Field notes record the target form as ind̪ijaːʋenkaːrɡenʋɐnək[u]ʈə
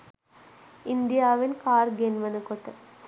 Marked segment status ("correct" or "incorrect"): incorrect